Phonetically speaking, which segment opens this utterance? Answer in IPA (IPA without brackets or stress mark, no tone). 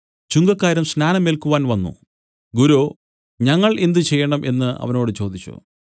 t͡ɕ